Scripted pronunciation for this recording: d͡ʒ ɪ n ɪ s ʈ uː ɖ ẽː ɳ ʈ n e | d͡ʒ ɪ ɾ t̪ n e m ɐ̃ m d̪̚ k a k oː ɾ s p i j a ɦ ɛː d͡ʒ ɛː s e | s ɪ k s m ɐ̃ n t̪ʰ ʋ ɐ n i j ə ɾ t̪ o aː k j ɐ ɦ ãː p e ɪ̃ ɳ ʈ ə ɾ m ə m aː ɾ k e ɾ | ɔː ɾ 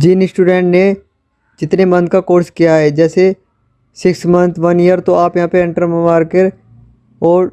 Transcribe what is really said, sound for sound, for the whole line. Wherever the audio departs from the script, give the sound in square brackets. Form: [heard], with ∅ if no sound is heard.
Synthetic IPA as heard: d͡ʒ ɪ n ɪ s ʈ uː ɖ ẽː ɳ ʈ n e | d͡ʒ ɪ [∅] t̪ n e m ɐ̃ [n] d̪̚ k a k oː ɾ s [k] i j a ɦ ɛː d͡ʒ ɛː s e | s ɪ k s m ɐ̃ n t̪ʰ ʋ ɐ n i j ə ɾ t̪ o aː [p] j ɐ ɦ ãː p e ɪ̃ ɳ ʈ ə ɾ m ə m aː ɾ k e ɾ | ɔː ɾ